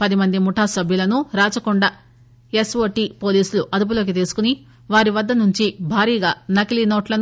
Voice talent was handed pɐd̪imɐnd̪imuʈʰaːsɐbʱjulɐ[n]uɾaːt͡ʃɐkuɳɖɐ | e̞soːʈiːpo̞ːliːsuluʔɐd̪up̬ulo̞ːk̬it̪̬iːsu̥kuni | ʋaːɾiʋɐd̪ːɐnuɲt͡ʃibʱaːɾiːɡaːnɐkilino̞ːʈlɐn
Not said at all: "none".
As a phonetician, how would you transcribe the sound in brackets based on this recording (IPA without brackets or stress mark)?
n